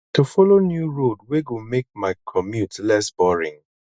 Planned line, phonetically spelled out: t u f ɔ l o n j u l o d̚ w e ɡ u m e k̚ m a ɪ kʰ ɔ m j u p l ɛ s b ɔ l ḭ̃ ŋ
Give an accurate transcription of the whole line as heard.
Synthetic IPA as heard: t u f ɔ l o n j u ɹ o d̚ w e ɡ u m e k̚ m a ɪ kʰ ɔ m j u t l ɛ s b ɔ ɹ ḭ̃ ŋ